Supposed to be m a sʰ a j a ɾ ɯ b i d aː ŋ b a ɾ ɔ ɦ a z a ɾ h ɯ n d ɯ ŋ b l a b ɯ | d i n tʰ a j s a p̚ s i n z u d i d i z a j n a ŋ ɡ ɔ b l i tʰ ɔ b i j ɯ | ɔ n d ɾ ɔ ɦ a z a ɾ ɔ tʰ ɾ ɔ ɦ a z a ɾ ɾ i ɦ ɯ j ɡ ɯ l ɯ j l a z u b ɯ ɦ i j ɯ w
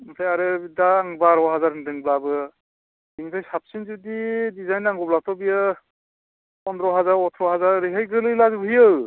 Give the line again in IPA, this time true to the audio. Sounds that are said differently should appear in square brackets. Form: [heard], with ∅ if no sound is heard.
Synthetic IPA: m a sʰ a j a ɾ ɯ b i d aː ŋ b a ɾ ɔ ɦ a z a ɾ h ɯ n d ɯ ŋ b l a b ɯ | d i [ŋ] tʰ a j s a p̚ s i n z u d i d i z a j n a ŋ ɡ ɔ b l [a] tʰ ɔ b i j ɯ | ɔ n d ɾ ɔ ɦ a z a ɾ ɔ tʰ ɾ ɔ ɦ a z a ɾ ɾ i ɦ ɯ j ɡ ɯ l ɯ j l a z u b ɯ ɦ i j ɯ w